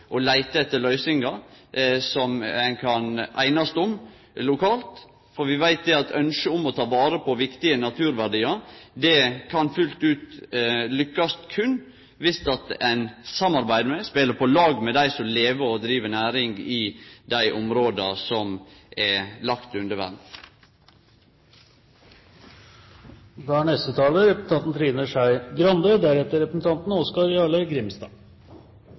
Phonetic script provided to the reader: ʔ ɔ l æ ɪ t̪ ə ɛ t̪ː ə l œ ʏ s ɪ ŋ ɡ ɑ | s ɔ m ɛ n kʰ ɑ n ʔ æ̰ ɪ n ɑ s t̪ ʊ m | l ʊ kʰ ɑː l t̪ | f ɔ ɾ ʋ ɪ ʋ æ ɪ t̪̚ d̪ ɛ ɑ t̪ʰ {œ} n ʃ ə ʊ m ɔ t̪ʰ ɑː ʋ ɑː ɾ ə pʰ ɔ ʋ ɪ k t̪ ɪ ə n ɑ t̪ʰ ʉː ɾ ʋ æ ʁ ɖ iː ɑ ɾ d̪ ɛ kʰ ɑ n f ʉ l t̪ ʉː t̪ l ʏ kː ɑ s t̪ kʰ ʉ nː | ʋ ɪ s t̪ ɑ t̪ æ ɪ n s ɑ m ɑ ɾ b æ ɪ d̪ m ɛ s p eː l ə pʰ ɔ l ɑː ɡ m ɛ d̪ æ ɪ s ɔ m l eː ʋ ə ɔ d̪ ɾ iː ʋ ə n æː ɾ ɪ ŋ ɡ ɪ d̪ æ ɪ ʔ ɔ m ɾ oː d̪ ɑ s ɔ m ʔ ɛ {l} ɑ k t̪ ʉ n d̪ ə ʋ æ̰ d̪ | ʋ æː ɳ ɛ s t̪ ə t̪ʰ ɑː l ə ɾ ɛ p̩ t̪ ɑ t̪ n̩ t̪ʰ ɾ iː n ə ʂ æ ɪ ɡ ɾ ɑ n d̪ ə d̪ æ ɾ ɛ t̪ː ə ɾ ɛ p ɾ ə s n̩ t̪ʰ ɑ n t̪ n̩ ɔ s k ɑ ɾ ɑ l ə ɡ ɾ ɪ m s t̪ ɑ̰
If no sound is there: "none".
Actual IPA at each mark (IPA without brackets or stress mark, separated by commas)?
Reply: œ, l